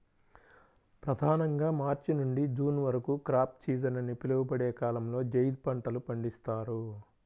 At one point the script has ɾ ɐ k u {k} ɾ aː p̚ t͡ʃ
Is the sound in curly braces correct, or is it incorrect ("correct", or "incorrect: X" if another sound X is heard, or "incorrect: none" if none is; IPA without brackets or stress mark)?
correct